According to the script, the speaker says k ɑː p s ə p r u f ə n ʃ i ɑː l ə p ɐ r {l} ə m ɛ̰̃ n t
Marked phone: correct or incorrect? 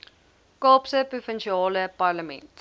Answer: correct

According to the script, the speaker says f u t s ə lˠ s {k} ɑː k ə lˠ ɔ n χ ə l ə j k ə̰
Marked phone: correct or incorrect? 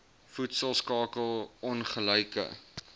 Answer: correct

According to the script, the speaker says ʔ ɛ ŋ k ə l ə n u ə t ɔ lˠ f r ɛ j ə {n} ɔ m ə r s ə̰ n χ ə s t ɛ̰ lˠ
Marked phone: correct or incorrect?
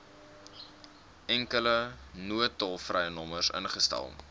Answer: correct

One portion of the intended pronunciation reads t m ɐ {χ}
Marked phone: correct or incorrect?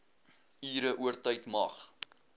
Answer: correct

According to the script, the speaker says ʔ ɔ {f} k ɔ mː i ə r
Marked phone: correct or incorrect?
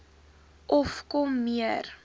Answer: correct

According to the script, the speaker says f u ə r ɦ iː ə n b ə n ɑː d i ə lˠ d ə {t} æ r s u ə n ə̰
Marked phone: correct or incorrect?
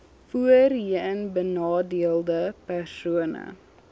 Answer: incorrect: p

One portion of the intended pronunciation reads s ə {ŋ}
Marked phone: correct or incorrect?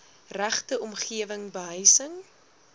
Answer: correct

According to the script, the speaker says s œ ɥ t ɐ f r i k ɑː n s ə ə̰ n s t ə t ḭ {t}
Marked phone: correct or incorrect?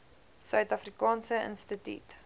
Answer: correct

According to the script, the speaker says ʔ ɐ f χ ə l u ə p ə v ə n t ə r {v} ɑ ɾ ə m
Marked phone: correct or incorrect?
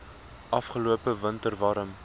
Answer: correct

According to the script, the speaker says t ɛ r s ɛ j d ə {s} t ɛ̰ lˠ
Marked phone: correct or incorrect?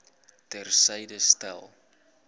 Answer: correct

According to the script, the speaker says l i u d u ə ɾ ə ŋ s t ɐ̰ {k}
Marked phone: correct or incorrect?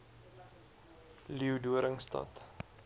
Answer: incorrect: t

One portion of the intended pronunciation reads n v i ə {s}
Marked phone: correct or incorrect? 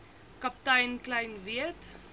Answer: incorrect: t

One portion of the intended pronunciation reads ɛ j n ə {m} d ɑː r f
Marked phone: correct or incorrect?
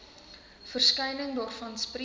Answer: incorrect: ŋ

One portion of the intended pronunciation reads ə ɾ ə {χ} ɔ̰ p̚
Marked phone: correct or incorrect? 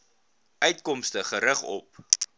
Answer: correct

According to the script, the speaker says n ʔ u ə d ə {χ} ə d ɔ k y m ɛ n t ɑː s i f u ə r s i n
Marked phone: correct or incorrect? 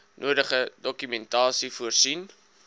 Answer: correct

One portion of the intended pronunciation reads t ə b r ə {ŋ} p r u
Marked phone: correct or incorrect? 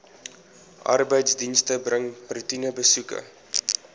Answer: correct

